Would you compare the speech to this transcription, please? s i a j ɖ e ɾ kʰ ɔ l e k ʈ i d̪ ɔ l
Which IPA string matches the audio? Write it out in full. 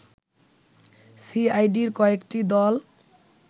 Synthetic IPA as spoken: s i a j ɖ i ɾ k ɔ e k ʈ i d̪ ɔ l